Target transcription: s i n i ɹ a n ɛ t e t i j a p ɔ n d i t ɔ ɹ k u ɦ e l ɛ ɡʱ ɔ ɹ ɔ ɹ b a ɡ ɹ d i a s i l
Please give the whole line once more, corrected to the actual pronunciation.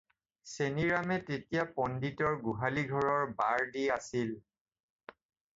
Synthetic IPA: s e n i ɹ a m ɛ t e t i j a p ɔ n d i t ɔ ɹ ɡ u ɦ a l i ɡʱ ɔ ɹ ɔ ɹ b a ɹ d i a s i l